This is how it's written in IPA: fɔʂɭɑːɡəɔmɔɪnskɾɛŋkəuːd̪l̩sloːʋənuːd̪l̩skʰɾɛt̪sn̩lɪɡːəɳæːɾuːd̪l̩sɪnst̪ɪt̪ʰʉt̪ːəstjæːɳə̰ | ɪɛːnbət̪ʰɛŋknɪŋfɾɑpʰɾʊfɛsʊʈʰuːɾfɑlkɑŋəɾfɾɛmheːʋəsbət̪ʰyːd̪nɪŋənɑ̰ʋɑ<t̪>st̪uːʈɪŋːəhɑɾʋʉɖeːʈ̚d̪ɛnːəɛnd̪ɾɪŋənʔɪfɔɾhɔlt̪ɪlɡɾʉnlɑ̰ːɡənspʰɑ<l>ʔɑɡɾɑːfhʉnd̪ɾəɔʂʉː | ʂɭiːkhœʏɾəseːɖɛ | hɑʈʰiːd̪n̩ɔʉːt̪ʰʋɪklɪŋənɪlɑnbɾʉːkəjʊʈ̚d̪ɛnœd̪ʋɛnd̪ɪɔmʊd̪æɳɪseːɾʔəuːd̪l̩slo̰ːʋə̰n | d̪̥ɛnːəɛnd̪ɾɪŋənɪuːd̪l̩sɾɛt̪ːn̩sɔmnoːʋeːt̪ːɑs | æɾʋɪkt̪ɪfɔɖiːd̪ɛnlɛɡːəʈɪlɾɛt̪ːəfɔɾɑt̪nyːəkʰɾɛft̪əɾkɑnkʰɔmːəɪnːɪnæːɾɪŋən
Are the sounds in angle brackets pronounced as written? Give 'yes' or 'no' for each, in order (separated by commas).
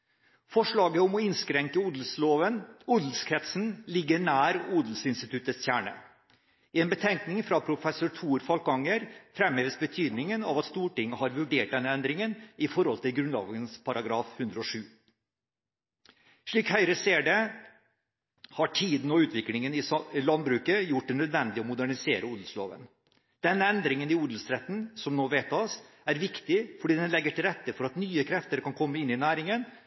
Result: yes, no